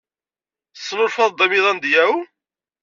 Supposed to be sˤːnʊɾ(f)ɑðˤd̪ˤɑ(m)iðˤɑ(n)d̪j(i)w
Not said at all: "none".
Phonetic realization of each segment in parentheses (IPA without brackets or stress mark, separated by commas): f, m, n, æ